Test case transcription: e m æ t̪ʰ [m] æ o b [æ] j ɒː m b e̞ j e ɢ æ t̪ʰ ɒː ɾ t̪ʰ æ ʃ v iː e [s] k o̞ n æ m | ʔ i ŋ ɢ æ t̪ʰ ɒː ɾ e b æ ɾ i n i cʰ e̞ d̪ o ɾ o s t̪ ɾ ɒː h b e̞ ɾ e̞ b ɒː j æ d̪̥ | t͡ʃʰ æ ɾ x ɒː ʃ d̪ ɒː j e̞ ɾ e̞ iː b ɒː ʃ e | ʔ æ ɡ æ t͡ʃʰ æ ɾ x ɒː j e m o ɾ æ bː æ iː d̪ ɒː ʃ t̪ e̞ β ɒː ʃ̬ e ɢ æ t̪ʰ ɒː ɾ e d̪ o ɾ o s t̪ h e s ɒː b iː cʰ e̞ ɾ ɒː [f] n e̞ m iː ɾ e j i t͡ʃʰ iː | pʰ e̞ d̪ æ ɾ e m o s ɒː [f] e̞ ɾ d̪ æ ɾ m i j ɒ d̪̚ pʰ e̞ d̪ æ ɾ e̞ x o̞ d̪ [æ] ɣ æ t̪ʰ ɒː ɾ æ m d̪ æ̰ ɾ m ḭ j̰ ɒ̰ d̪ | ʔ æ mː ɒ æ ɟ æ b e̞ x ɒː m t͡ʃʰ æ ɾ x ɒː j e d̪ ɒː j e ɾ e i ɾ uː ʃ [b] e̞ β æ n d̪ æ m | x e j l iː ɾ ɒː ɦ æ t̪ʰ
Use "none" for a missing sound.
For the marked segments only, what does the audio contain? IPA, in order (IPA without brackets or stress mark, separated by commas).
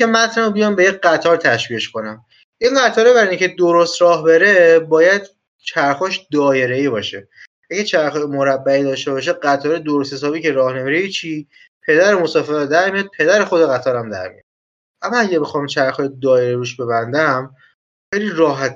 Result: n, i, ʃ, h, f, e, b